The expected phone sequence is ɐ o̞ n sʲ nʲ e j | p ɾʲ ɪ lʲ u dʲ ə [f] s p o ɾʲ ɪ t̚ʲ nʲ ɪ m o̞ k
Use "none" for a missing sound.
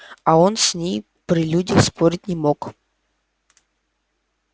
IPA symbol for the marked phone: x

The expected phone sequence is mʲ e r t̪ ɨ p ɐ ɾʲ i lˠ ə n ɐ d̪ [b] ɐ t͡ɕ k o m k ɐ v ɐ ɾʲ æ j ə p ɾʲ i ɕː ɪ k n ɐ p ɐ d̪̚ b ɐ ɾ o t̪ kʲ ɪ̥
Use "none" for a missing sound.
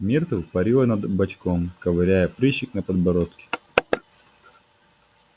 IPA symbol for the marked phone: b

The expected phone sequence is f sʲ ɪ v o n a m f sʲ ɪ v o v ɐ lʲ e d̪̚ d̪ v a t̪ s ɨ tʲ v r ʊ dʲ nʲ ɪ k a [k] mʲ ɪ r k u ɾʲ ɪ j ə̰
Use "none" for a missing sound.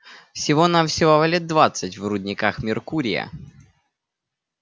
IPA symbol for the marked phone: x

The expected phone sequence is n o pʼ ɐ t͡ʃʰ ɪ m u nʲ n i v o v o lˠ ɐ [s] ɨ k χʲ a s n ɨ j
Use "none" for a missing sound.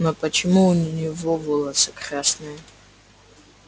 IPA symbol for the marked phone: s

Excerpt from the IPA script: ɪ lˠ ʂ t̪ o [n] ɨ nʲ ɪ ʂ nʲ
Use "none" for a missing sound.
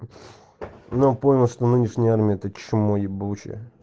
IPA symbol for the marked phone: n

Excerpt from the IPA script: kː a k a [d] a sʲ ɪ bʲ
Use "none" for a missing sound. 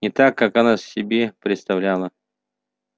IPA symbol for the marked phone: n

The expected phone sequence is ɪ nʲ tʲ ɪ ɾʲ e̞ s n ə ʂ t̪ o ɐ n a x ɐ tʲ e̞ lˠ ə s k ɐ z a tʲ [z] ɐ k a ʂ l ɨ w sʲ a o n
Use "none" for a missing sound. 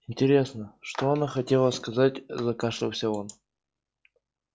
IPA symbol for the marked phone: z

